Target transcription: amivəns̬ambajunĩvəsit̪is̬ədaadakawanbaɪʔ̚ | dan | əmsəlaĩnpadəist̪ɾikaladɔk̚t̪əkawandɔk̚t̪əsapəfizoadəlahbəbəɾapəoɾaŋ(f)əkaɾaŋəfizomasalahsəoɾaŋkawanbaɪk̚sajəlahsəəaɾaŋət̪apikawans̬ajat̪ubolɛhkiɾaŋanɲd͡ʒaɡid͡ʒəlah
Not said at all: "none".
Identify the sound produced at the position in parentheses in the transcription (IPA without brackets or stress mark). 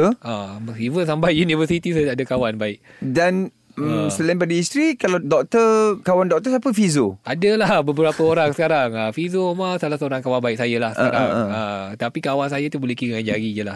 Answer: s